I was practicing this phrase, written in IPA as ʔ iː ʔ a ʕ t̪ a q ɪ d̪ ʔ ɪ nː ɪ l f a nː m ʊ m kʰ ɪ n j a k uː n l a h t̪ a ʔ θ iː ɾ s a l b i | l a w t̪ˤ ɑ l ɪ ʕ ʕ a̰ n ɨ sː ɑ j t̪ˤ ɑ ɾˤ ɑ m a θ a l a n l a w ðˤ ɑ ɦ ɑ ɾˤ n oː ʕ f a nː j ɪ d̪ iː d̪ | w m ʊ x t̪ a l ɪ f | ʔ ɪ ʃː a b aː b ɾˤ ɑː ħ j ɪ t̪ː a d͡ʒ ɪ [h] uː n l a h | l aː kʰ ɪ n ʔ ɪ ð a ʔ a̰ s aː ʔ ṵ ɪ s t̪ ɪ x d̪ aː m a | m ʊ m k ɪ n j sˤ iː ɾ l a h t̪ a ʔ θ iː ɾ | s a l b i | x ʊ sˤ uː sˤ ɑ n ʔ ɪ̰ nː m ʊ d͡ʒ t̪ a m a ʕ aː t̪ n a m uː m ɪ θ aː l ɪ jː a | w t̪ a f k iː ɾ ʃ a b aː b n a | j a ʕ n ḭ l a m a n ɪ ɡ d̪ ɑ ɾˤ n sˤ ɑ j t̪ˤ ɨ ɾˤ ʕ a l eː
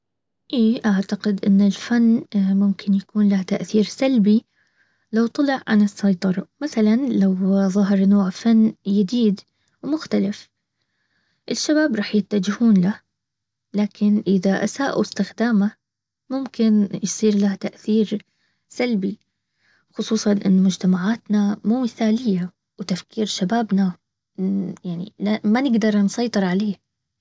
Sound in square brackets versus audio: correct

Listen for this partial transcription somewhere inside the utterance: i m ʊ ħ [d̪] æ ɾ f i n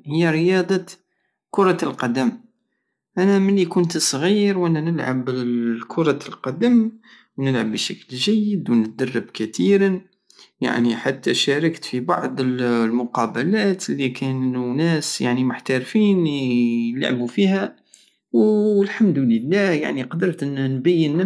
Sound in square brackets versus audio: incorrect: t̪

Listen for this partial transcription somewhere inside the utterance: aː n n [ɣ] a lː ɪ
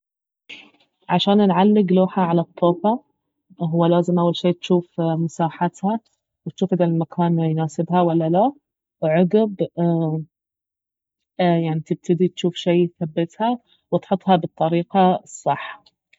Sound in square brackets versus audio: incorrect: ʕ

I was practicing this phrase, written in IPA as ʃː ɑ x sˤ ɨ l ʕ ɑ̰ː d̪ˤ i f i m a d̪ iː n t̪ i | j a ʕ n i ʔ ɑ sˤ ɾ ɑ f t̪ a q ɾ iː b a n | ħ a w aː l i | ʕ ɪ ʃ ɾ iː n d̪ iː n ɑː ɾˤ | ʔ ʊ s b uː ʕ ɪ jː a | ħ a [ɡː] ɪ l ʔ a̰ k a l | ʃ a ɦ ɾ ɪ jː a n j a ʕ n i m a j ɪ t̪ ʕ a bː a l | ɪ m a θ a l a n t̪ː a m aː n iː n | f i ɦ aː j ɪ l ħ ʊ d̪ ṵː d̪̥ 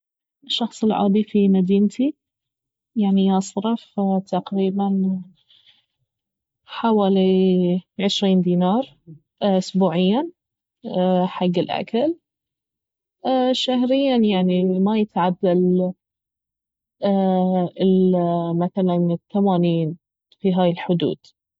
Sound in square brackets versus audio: correct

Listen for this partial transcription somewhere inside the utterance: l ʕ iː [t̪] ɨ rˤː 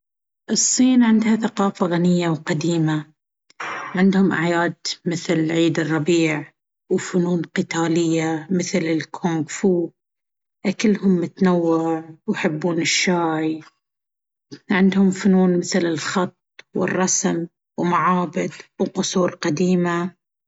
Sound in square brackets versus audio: incorrect: d̪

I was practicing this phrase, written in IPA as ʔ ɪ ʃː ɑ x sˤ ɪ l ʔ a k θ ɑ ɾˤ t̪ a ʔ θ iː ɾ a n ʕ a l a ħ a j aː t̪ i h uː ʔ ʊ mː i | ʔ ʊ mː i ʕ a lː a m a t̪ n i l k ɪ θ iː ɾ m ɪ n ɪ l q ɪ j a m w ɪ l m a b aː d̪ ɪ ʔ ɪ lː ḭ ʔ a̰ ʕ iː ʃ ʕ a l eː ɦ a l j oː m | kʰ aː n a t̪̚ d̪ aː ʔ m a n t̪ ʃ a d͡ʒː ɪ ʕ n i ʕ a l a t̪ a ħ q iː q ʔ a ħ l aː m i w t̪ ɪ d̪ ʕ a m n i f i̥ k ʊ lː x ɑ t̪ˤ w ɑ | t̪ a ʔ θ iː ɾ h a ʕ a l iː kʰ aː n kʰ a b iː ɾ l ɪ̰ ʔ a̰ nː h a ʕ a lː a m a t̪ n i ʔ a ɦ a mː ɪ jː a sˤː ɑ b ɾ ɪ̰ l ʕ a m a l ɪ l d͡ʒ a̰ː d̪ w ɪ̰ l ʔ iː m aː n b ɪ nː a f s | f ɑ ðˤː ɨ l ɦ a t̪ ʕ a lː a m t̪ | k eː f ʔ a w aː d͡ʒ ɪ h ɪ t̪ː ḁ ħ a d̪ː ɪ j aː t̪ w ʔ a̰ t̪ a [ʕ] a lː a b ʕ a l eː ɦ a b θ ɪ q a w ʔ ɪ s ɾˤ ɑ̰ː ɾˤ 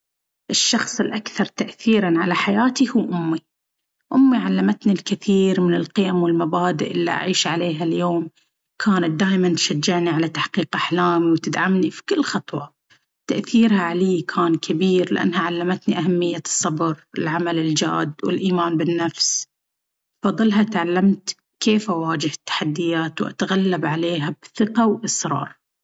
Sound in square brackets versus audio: incorrect: ɣ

